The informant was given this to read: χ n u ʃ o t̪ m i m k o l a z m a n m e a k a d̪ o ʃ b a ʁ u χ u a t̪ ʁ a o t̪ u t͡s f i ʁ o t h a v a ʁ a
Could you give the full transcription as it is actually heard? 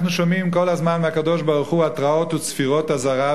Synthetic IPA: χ n u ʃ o m i m k o l a z m a n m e a k a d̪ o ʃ b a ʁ u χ u a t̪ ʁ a o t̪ u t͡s f i ʁ o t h a z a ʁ a